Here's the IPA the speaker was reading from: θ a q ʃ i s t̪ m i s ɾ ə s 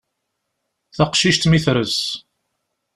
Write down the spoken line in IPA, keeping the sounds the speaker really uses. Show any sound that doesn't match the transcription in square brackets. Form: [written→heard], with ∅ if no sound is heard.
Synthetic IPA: θ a q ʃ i [s→ʃ] t̪ m i [s→θ] ɾ ə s

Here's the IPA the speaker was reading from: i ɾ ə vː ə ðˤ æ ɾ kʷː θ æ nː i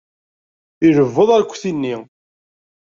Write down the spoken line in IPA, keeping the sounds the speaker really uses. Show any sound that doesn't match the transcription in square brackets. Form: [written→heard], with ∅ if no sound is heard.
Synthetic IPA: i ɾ ə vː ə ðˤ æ ɾ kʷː θ [æ→i] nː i

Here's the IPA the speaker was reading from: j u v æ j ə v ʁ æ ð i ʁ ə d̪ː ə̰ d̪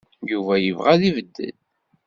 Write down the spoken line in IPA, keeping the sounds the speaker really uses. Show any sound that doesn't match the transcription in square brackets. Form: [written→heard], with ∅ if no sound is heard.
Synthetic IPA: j u v æ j ə v ʁ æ ð i [ʁ→v] ə d̪ː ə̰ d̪

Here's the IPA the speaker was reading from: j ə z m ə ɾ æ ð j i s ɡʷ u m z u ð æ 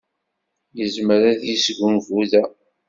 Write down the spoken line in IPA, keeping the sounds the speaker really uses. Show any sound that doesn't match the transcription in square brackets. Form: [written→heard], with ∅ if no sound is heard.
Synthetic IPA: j ə z m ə ɾ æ ð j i s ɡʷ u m [z→v] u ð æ

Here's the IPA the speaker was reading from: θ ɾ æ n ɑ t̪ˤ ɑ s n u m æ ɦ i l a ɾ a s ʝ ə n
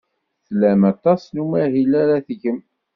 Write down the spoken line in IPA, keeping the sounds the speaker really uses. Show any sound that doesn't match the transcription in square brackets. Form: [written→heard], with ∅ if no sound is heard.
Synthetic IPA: θ [ɾ→l] æ [n→m] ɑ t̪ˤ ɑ s n u m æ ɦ i l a ɾ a [s→θ] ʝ ə [n→m]

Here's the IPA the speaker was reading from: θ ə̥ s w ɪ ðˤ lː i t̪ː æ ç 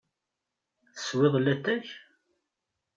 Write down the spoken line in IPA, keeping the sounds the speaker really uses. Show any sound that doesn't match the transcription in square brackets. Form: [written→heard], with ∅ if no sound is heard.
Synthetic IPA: θ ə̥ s w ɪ ðˤ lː [i→æ] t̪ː æ ç

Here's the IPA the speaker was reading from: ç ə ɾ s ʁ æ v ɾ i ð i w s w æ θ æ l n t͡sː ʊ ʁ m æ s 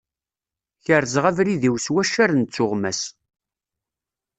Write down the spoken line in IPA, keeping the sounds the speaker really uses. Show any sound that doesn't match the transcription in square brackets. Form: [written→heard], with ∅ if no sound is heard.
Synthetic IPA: ç ə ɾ [s→z] ʁ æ v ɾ i ð i w s w æ [θ→ʃ] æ [l→ɾ] n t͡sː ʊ ʁ m æ s

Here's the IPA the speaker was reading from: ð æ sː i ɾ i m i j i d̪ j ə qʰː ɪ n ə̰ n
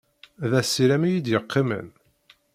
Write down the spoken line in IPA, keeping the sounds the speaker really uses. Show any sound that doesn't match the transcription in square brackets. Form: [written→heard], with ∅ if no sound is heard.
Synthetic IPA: ð æ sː i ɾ [i→æ] m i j i d̪ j ə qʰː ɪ [n→m] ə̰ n

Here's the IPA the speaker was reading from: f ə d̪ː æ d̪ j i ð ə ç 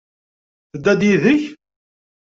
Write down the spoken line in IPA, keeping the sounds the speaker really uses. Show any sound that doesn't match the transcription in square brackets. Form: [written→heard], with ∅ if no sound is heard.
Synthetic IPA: [f→θ] ə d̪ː æ d̪ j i ð ə ç

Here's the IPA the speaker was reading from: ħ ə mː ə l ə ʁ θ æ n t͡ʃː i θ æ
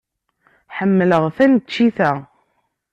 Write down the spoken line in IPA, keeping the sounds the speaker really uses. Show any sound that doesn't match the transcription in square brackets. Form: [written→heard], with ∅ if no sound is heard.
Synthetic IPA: ħ ə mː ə l ə ʁ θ æ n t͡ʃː i θ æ

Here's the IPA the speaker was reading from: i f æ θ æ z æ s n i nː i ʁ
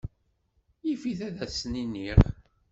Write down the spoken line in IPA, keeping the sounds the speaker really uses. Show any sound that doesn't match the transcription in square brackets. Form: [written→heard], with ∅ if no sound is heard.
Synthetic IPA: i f [æ→i] θ æ [z→ð] æ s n i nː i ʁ

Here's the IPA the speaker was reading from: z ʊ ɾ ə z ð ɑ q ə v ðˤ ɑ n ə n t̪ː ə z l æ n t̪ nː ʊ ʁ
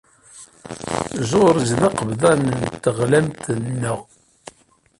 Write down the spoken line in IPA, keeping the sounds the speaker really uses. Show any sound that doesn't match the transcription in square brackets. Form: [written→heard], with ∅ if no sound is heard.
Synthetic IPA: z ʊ ɾ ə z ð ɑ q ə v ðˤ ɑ n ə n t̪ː ə [z→ʁ] l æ [n→m] t̪ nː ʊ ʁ

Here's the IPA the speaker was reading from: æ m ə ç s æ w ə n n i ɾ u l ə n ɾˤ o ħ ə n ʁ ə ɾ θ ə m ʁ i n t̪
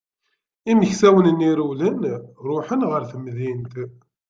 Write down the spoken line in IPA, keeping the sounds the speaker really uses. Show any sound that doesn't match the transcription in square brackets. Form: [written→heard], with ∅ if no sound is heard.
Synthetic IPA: [æ→i] m ə ç s æ w ə n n i ɾ u l ə n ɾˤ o ħ ə n ʁ ə ɾ θ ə m [ʁ→ð] i n t̪

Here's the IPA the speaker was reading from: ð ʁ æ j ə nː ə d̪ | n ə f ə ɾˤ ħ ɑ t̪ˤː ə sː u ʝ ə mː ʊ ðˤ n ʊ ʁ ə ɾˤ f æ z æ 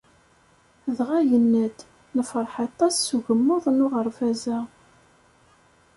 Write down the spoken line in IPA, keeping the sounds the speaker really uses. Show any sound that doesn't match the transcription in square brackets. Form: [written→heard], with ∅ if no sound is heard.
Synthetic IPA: ð ʁ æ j ə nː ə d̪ | n ə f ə ɾˤ ħ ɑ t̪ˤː [ə→ɑ] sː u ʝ ə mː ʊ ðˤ n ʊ ʁ ə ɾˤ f æ z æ

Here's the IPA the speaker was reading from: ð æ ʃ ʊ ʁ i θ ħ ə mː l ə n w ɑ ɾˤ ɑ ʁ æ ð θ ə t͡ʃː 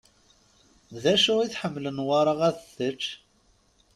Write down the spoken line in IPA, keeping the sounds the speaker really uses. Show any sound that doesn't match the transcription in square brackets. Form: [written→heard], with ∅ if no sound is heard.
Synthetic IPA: ð æ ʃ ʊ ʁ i θ ħ ə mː l ə n w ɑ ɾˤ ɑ ʁ æ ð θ ə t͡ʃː

